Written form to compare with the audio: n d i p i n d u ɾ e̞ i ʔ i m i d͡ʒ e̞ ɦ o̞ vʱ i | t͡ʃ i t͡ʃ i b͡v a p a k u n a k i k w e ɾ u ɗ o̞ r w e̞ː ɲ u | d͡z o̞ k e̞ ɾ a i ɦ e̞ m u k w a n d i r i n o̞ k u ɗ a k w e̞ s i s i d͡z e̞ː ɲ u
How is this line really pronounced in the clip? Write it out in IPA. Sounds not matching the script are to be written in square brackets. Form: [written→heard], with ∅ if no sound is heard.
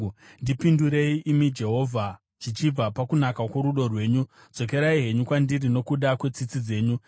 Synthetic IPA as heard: n d i p i n d u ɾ e̞ i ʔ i m i d͡ʒ e̞ ɦ o̞ vʱ [i→a] | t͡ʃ i t͡ʃ i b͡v a p a k u n a k [i→a] k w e ɾ u ɗ o̞ r w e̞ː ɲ u | d͡z o̞ k e̞ ɾ a i ɦ e̞ [m→ɲ] u k w a n d i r i n o̞ k u ɗ a k w e̞ [s→t͡s] i [s→t͡s] i d͡z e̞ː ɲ u